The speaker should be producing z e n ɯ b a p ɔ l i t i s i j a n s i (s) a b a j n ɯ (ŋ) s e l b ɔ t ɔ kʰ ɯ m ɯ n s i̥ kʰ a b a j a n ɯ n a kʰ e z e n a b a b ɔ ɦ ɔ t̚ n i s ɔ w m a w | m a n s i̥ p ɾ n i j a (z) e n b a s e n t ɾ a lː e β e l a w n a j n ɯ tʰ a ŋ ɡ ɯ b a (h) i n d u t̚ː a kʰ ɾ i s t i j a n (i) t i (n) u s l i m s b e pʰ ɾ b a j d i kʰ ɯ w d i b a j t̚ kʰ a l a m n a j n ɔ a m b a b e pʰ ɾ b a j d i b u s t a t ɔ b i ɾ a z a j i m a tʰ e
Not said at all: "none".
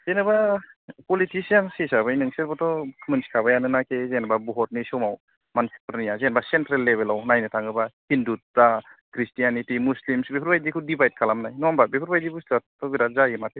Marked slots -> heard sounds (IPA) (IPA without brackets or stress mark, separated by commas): s, ŋ, z, h, i, m